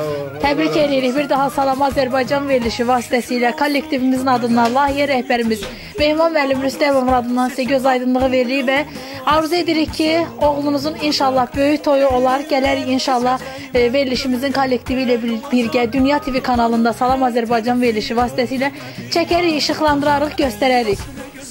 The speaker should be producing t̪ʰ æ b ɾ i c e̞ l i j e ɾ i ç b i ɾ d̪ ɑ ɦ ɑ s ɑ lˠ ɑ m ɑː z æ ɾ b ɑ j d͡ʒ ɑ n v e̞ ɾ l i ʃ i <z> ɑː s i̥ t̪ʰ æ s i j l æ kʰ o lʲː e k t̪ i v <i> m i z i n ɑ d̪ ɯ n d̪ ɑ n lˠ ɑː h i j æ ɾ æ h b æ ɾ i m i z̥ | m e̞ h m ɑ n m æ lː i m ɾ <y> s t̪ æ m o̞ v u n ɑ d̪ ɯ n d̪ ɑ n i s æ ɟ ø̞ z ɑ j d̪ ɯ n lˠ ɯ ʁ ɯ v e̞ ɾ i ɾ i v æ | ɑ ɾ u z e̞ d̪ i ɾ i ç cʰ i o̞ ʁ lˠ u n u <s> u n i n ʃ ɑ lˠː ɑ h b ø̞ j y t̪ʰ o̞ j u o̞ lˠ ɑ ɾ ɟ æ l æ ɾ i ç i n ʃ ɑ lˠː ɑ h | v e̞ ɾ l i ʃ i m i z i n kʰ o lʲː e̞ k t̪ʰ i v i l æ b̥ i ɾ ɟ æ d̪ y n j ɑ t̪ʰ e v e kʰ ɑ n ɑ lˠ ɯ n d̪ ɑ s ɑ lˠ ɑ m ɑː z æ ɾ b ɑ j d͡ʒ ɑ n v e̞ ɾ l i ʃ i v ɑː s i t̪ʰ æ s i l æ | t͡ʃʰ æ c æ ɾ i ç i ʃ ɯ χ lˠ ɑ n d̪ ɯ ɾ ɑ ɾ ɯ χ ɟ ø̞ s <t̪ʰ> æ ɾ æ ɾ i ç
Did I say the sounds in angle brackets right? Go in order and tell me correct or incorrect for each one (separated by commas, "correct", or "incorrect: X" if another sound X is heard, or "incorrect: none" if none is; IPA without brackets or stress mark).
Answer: incorrect: v, correct, correct, incorrect: z, incorrect: t̪